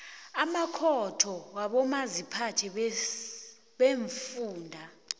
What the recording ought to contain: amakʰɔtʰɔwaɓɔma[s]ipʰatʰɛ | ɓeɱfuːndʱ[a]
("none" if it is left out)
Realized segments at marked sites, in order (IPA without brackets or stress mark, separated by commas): z, a